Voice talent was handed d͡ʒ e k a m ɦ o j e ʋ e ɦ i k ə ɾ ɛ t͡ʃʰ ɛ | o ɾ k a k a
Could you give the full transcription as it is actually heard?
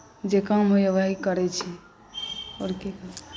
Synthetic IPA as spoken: d͡ʒ e k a m ɦ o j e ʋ a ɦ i k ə ɾ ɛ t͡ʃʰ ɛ | o ɾ k e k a